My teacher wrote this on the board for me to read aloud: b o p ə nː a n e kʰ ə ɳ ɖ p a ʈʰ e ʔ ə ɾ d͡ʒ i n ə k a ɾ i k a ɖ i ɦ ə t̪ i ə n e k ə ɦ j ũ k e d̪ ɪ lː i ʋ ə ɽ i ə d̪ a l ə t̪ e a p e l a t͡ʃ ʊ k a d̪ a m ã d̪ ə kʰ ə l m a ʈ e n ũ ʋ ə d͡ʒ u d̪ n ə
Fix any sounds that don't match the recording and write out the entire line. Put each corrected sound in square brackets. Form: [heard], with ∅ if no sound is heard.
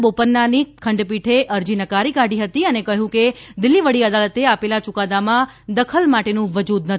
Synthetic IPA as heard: b o p ə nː a n [i] kʰ ə ɳ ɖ p [i] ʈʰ e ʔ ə ɾ d͡ʒ i n ə k a ɾ i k a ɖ i ɦ ə t̪ i ə n e k ə ɦ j ũ k e d̪ ɪ lː i ʋ ə ɽ i ə d̪ a l ə t̪ e a p e l a t͡ʃ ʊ k a d̪ a m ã d̪ ə kʰ ə l m a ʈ e n ũ ʋ ə d͡ʒ u d̪ n ə